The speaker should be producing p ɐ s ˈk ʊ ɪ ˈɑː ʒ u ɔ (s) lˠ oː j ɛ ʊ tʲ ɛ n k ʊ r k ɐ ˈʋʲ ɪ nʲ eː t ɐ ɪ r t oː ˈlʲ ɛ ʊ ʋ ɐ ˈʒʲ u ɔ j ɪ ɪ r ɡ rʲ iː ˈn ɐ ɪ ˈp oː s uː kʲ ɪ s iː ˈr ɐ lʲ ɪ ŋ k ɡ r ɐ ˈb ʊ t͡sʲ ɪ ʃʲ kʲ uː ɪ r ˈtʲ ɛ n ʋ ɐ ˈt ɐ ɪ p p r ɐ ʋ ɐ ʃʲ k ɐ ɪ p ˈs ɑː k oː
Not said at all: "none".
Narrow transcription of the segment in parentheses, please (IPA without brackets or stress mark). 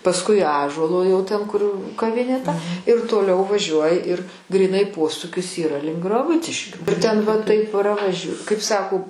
none